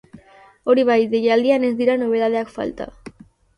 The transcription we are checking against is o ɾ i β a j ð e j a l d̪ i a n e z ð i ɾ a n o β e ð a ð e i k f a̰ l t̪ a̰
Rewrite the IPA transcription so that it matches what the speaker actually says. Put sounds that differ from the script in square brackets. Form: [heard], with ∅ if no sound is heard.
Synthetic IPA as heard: o ɾ i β a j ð e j a l d̪ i a n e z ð i ɾ a n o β e ð a ð e [a] k f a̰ l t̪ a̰